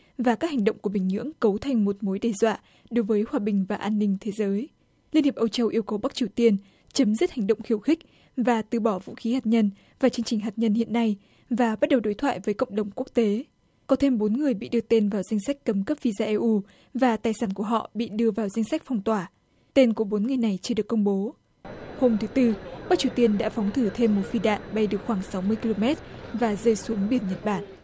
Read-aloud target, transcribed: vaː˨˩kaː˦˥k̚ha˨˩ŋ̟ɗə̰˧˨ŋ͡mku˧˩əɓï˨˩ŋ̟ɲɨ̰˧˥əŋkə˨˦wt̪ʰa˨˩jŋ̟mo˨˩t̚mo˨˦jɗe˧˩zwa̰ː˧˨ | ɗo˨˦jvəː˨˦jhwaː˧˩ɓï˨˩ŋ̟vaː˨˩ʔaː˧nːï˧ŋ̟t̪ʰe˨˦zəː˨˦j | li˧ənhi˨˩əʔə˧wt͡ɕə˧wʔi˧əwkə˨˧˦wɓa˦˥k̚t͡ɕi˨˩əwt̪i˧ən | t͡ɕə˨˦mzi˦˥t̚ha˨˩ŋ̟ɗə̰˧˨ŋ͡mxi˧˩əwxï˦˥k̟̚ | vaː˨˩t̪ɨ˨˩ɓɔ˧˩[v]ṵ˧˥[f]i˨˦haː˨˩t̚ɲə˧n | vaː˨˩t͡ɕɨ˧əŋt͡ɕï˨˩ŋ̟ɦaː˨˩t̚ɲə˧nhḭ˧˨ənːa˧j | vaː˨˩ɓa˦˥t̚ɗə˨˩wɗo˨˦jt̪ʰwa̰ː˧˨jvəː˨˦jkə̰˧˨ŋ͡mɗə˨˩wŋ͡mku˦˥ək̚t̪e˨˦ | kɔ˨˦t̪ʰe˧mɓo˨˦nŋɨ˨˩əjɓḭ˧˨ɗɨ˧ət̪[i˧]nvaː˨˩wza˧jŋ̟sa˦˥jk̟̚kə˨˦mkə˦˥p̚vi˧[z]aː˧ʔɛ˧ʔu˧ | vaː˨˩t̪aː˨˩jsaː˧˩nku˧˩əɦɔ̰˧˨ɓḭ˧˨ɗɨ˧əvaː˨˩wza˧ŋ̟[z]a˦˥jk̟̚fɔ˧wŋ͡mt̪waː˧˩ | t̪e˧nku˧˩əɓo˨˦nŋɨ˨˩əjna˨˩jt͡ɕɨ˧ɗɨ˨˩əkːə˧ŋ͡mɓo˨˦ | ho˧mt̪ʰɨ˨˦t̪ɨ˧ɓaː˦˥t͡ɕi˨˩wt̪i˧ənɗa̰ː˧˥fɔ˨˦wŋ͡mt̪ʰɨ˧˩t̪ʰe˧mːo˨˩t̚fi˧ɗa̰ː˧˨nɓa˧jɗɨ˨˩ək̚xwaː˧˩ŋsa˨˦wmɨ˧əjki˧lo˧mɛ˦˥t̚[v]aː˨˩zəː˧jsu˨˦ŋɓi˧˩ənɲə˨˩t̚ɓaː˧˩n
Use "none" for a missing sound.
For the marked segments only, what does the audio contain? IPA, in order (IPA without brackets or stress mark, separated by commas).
v, x, e˧, z, s, v